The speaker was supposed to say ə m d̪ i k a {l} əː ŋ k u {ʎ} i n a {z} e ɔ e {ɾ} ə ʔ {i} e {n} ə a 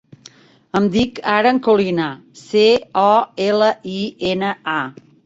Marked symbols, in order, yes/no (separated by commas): no, no, no, no, yes, yes